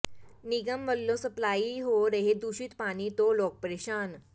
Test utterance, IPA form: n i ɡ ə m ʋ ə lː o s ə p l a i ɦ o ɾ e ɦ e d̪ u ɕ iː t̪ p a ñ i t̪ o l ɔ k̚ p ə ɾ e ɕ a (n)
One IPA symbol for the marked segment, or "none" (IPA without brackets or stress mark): n